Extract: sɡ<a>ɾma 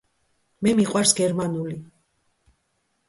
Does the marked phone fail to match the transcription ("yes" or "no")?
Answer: yes